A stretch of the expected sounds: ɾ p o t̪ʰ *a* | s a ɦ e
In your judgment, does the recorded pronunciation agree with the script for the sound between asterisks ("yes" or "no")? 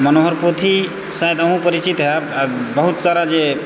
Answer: no